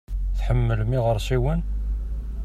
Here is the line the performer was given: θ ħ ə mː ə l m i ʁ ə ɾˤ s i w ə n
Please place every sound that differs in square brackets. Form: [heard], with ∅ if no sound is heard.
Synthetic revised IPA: θ ħ ə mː ə l m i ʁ ə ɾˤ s i w ə n